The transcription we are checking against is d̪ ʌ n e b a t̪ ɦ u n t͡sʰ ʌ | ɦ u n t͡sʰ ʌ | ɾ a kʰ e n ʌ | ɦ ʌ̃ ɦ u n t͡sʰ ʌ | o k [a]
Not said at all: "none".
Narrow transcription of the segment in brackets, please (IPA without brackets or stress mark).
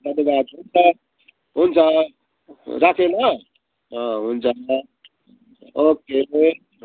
e